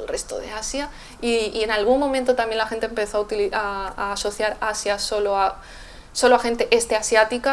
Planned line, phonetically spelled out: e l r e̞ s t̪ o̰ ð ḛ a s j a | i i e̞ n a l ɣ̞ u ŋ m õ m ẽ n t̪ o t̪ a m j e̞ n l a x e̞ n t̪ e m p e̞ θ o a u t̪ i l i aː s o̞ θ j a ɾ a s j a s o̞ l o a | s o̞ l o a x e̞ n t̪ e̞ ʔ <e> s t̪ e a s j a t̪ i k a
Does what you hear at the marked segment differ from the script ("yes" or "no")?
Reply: no